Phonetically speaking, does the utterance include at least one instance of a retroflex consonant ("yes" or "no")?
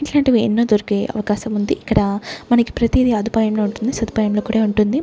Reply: yes